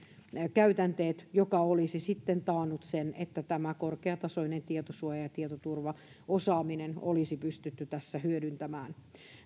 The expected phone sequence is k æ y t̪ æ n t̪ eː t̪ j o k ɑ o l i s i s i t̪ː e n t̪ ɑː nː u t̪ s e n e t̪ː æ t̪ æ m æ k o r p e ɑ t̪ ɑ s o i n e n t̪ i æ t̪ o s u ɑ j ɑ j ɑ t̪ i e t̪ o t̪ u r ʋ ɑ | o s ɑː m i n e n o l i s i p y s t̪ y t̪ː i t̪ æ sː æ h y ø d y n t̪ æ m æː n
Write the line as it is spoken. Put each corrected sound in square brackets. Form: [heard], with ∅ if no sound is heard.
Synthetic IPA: k æ y t̪ æ n t̪ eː t̪ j o k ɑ o l i s i s i t̪ː e n t̪ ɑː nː u t̪ s e n e t̪ː æ t̪ æ m æ k o r [k] e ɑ t̪ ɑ s o i n e n t̪ i [e] t̪ o s u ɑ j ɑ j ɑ t̪ i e t̪ o t̪ u r ʋ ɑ | o s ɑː m i n e n o l i s i p y s t̪ y t̪ː [y] t̪ æ sː æ h y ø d y n t̪ æ m æː n